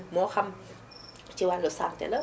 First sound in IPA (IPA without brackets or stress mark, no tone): m